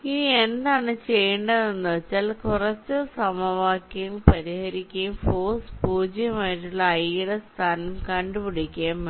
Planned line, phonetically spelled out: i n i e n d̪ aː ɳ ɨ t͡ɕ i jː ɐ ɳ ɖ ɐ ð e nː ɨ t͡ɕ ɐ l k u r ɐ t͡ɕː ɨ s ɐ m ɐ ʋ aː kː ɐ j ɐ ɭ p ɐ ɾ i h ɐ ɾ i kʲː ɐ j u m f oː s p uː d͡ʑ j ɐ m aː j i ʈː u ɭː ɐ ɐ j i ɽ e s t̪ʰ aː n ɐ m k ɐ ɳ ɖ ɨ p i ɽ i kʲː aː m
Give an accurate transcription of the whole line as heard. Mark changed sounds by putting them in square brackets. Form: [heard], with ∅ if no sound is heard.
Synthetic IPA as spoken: i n i e n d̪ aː ɳ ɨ t͡ɕ [e] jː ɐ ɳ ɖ ɐ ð e nː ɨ t͡ɕ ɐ l k u r ɐ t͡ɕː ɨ s ɐ m ɐ ʋ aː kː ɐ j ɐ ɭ p ɐ ɾ i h ɐ ɾ i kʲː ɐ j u m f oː s p uː d͡ʑ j ɐ m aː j i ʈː u ɭː ɐ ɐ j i ɽ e s t̪ʰ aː n ɐ m k ɐ ɳ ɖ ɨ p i ɽ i kʲː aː m

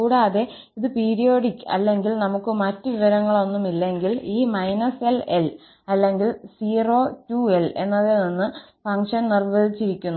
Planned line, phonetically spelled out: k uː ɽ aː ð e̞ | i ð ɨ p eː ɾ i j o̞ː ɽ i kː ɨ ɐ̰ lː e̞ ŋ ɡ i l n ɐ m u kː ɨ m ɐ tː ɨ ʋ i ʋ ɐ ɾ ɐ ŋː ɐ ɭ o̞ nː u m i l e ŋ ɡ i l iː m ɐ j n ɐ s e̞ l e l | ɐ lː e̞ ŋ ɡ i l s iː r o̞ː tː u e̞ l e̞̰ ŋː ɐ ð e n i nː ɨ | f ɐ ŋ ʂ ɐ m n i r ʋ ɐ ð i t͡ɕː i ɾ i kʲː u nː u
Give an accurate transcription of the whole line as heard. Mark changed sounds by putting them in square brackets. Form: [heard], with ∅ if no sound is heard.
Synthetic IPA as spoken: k uː ɽ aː ð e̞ | i ð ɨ p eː ɾ i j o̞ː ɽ i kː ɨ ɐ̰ lː e̞ ŋ ɡ i l n ɐ m u kː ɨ m ɐ tː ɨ ʋ i ʋ ɐ ɾ ɐ ŋː ɐ ɭ o̞ nː u m i [lː] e ŋ ɡ i l iː m ɐ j n ɐ s e̞ l e l | ɐ lː e̞ ŋ ɡ i l s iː r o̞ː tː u e̞ l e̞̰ [nː] ɐ ð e n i nː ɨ | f ɐ ŋ ʂ ɐ [n] n i r ʋ ɐ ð i t͡ɕː i ɾ i kʲː u nː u

